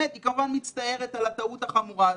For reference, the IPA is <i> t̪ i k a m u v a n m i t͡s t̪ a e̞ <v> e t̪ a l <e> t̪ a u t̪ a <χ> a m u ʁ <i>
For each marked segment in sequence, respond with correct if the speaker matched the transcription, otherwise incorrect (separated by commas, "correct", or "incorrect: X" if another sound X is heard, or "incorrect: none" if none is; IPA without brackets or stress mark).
incorrect: e, incorrect: ʁ, incorrect: a, correct, incorrect: a